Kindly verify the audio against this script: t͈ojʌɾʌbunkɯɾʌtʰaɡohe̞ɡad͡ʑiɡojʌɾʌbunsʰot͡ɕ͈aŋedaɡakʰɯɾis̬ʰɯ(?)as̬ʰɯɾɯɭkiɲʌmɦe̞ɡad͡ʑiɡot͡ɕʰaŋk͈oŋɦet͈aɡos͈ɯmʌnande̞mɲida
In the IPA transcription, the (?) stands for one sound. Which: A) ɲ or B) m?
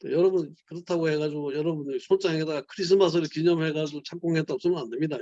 B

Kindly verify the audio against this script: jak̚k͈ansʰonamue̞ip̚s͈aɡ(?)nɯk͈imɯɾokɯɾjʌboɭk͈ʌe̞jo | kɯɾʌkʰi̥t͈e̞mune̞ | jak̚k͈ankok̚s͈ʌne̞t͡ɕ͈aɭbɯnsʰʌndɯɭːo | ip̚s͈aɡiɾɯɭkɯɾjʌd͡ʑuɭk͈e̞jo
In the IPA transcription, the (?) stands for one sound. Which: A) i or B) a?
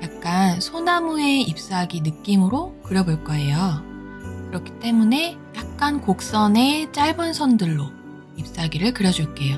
A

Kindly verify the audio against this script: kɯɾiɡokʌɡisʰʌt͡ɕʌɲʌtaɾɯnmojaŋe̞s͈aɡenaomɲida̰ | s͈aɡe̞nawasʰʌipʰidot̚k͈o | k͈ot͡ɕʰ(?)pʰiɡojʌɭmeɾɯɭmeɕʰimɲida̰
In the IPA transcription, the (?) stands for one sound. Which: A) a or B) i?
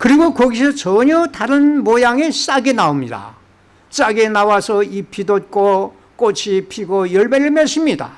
B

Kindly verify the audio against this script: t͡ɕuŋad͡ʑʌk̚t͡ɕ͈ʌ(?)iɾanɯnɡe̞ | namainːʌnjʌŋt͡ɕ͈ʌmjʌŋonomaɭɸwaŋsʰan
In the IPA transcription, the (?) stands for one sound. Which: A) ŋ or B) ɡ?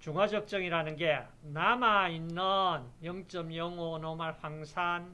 A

